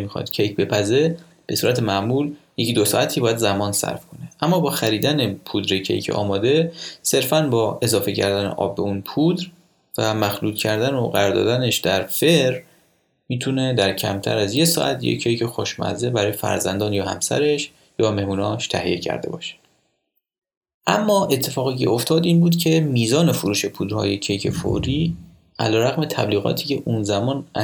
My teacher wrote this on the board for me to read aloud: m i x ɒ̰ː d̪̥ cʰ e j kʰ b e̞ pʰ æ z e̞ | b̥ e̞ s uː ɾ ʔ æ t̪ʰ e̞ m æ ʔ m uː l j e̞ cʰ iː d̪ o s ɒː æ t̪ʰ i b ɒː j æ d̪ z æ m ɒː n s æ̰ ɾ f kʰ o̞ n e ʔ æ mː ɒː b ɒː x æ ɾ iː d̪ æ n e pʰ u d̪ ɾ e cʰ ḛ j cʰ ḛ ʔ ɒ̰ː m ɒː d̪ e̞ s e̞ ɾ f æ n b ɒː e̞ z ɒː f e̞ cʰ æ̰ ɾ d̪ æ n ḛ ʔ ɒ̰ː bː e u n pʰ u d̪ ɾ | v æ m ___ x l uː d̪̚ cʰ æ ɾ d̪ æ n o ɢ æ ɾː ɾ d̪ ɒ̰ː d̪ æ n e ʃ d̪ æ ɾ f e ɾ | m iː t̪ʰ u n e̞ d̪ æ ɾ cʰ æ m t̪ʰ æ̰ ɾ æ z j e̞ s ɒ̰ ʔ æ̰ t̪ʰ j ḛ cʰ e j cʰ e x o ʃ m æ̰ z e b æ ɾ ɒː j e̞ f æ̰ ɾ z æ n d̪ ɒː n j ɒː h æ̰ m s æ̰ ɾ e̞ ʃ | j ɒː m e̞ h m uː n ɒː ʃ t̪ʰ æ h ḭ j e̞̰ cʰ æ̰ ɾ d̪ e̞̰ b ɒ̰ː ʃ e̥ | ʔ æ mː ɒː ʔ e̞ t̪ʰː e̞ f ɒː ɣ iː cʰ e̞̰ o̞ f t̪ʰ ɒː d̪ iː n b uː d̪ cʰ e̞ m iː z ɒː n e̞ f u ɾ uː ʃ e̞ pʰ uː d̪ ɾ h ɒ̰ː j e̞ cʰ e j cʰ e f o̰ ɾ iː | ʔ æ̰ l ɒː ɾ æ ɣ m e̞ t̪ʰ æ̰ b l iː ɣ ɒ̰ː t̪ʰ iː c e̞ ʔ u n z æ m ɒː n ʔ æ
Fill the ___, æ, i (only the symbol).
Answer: æ